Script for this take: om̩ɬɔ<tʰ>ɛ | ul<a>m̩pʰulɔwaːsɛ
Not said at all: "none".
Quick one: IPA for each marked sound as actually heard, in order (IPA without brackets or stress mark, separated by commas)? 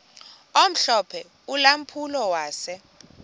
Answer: pʰ, a